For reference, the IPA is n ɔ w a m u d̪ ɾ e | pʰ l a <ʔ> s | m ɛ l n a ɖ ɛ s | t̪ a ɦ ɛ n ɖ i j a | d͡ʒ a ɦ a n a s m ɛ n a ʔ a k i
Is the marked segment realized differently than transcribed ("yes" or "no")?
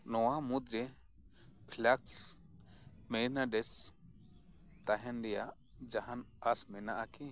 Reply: yes